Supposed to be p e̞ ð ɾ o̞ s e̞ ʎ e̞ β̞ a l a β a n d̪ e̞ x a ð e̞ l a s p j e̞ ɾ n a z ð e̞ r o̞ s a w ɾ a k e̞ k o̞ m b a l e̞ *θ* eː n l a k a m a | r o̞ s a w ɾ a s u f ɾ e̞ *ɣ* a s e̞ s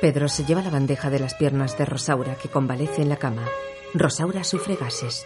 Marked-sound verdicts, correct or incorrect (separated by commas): correct, correct